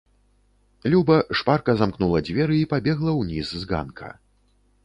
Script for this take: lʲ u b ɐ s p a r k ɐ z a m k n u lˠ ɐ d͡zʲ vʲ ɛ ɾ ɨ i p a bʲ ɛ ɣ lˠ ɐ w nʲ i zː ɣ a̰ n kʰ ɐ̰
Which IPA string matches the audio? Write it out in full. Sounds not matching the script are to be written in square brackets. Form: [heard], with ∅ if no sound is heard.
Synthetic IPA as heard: lʲ u b ɐ [ʂ] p a r k ɐ z a m k n u lˠ ɐ d͡zʲ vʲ ɛ ɾ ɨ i p a bʲ ɛ ɣ lˠ ɐ w nʲ i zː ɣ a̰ n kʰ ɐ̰